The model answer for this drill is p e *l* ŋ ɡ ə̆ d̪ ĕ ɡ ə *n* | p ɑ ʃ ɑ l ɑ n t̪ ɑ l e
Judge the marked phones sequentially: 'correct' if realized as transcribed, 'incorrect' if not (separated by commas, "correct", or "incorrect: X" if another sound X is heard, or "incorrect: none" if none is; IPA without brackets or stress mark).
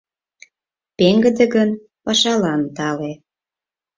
incorrect: none, correct